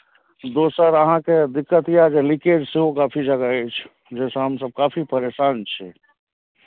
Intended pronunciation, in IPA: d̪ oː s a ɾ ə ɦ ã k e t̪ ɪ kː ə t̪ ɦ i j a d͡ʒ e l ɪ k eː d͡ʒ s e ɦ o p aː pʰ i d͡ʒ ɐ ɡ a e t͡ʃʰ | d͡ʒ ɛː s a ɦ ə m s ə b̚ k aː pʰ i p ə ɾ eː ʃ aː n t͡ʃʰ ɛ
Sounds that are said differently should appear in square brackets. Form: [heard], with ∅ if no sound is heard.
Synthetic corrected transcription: d̪ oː s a ɾ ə ɦ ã k e [d̪] ɪ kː ə t̪ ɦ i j a d͡ʒ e l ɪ k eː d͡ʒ s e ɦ o [k] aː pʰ i d͡ʒ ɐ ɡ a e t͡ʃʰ | d͡ʒ ɛː s a ɦ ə m s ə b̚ k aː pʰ i p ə ɾ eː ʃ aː n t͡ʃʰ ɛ